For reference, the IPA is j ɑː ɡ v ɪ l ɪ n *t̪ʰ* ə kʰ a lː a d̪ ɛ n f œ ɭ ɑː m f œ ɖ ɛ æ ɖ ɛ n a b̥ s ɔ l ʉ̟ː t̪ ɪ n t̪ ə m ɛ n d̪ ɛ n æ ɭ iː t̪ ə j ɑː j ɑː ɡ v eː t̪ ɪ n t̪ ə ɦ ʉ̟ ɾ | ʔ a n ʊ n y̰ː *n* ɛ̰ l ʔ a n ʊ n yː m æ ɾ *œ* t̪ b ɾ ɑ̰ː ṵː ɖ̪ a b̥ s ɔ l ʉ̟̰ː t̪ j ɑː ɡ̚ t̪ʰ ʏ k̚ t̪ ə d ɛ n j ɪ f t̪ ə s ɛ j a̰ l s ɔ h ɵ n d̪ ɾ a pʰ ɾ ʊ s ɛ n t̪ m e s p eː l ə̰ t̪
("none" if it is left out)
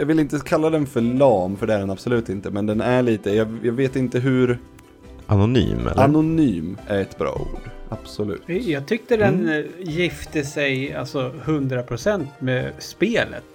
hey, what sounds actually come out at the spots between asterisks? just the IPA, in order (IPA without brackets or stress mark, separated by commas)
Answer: t̪, m, ɛ